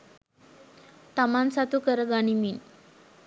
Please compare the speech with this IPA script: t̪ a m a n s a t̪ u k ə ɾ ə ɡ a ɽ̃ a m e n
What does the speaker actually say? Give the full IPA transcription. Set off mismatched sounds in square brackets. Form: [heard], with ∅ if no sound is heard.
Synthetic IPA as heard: t̪ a m a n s a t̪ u k ə ɾ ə ɡ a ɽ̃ [i] m [i] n